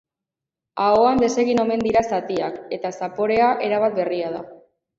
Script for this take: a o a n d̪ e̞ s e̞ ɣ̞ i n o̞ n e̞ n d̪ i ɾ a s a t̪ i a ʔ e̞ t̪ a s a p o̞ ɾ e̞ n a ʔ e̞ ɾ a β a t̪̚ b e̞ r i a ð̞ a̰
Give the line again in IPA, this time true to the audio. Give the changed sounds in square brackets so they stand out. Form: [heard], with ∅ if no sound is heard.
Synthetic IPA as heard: a o a n d̪ e̞ s e̞ ɣ̞ i n o̞ [m] e̞ n d̪ i ɾ a s a t̪ i a [k] e̞ t̪ a s a p o̞ ɾ e̞ [∅] a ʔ e̞ ɾ a β a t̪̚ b e̞ r i a ð̞ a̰